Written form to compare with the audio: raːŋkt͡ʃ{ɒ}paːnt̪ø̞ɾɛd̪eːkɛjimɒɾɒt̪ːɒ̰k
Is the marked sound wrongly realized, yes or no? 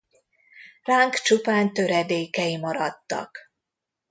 yes